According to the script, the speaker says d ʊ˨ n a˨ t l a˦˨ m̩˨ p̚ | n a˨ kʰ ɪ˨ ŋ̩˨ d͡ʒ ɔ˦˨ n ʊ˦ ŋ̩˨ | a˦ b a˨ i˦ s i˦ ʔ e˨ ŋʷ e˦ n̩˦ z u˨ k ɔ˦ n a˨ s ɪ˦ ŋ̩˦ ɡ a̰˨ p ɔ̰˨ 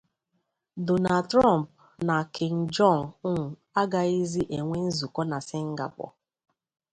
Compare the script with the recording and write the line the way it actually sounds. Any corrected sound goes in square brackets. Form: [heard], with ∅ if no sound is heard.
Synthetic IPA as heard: d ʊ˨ n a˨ t [ɾ] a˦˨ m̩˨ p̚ | n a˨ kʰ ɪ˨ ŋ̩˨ d͡ʒ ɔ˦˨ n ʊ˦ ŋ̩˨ | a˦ [ɡ] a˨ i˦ [z] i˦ ʔ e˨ ŋʷ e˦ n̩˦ z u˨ k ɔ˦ n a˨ s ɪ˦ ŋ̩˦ ɡ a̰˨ p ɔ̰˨